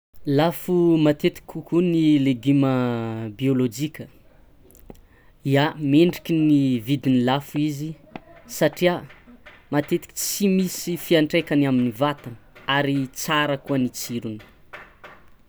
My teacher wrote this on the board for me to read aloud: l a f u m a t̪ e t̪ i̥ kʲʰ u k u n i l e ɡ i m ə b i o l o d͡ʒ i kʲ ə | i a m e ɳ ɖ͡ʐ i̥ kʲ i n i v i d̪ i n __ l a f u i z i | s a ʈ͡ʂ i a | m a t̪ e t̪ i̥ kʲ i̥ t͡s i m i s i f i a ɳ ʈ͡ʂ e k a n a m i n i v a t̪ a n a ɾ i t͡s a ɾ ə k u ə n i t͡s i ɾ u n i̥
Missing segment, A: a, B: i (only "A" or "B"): B